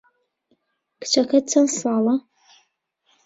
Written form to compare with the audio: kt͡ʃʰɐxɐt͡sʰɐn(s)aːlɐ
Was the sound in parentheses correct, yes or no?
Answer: yes